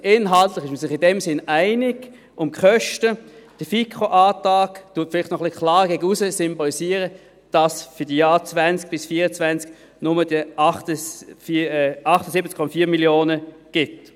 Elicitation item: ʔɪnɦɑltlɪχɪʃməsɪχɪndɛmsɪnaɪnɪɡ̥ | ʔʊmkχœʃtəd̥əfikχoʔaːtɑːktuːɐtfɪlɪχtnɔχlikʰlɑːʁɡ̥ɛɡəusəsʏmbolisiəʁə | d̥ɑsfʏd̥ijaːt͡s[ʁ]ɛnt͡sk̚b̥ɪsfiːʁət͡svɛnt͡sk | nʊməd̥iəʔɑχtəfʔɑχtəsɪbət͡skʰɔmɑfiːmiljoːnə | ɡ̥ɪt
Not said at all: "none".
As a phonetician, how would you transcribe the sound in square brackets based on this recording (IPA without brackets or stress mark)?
v